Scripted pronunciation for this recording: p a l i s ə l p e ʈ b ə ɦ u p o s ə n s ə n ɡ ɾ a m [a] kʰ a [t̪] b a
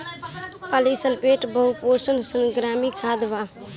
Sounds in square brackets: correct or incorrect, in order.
incorrect: i, incorrect: d̪

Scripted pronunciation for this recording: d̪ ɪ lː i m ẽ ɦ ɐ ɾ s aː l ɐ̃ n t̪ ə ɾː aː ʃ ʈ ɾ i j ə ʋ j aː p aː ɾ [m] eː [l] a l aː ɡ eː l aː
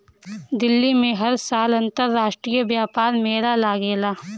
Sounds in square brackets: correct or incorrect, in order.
correct, incorrect: ɾ

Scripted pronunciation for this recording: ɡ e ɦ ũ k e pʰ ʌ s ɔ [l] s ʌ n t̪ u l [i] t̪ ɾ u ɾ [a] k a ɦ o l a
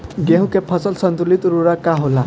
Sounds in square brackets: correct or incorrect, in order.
correct, correct, correct

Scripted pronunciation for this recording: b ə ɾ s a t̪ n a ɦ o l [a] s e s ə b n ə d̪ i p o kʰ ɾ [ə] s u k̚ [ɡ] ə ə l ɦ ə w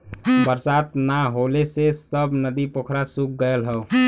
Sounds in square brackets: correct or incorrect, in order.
incorrect: e, incorrect: a, correct

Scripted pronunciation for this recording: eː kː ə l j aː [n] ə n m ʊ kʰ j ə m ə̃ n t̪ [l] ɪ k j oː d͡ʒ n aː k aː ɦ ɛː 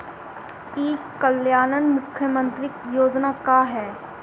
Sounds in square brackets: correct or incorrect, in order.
correct, incorrect: ɾ

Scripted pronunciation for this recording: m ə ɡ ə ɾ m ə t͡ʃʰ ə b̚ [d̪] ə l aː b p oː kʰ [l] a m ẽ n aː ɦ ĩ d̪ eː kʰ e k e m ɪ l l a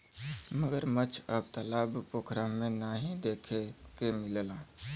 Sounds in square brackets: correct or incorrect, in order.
incorrect: t̪, incorrect: ɾ

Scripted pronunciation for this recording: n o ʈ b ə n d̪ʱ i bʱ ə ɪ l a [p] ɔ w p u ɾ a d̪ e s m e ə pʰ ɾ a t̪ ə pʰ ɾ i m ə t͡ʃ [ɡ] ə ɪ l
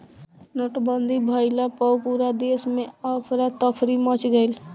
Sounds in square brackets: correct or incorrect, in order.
correct, correct

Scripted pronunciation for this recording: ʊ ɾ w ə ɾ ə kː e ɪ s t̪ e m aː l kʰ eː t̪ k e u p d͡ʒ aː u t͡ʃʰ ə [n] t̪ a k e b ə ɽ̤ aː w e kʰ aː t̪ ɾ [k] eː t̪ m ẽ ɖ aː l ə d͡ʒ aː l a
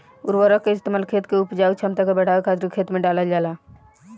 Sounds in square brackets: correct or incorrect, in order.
incorrect: m, incorrect: kʰ

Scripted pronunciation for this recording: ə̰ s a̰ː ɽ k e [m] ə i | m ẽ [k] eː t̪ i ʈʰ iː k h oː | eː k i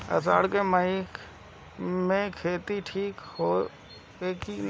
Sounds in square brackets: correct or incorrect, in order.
correct, incorrect: kʰ

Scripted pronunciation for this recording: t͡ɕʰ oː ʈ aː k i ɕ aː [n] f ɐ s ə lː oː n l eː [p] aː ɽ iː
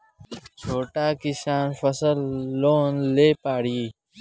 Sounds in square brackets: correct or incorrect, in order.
correct, correct

